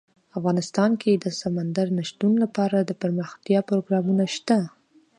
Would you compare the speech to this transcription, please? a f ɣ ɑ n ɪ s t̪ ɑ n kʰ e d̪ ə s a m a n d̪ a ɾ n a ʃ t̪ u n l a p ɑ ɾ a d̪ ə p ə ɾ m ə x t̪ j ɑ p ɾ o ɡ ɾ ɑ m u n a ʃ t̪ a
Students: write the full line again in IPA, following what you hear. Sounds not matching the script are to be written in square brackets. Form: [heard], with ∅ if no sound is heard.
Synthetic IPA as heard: a f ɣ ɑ n ɪ s t̪ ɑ n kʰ e d̪ ə s a m a n d̪ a ɾ n a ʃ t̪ u n l a p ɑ ɾ a d̪ ə p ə ɾ m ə x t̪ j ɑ p ɾ o ɡ ɾ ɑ m u n a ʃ t̪ a